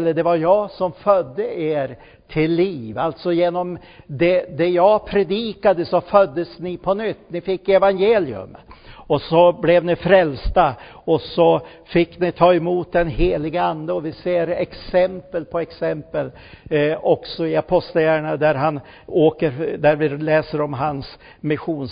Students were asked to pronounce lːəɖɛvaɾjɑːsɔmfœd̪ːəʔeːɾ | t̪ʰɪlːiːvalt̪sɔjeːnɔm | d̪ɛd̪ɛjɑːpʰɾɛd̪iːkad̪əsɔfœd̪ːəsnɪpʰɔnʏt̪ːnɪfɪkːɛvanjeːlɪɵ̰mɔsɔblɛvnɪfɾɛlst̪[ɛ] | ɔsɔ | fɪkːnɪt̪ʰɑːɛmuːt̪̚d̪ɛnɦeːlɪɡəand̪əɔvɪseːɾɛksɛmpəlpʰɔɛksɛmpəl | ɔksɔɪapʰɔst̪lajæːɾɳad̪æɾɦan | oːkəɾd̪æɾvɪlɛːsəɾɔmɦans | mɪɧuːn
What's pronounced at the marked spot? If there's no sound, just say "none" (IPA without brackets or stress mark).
a